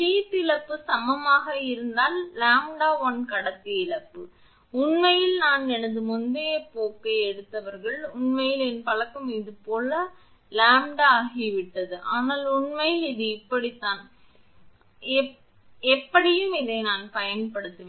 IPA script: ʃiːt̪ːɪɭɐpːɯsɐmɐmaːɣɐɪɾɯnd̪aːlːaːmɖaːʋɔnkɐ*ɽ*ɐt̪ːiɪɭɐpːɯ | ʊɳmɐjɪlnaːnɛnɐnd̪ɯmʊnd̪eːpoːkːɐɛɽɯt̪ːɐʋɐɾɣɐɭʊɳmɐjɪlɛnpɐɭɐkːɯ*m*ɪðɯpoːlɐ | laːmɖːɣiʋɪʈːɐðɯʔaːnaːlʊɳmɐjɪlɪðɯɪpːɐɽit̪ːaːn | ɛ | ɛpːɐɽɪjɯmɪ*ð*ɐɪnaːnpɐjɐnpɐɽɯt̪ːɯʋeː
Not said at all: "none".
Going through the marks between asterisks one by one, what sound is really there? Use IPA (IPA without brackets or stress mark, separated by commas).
ɽ, m, ð